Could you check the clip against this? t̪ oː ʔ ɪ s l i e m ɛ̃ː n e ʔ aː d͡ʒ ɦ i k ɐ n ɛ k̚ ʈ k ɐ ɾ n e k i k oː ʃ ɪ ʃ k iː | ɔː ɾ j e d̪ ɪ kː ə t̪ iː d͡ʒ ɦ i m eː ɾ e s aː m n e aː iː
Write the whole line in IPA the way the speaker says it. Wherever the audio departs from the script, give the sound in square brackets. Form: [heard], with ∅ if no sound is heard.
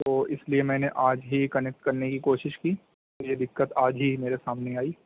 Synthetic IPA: t̪ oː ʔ ɪ s l i e m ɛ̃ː n e ʔ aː d͡ʒ ɦ i k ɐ n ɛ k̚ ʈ k ɐ ɾ n e k i k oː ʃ ɪ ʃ k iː | ɔː ɾ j e d̪ ɪ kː ə t̪ [aː] d͡ʒ ɦ i m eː ɾ e s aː m n e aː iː